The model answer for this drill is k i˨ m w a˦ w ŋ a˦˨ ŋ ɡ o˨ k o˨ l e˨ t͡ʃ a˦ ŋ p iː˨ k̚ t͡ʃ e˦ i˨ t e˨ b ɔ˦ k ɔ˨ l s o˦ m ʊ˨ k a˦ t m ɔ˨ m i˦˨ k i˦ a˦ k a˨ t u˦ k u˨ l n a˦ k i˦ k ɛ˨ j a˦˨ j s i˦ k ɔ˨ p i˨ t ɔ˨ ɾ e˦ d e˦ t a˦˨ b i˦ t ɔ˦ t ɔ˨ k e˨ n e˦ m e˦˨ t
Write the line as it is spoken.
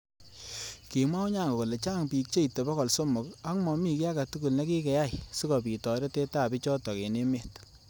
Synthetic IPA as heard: k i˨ m w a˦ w ɲ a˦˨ ŋ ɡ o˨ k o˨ l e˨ t͡ʃ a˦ ŋ p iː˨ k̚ t͡ʃ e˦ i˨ t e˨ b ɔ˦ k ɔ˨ l s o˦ m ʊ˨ k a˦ k m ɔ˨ m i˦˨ k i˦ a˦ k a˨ t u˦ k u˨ l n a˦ k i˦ k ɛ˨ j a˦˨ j s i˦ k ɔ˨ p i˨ t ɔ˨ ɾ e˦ t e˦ t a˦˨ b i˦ t͡ʃ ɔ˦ t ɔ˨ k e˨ n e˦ m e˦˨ t